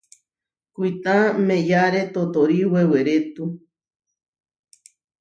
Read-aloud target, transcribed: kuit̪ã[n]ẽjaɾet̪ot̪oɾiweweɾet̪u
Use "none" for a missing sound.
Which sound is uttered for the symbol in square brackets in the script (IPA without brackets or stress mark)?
m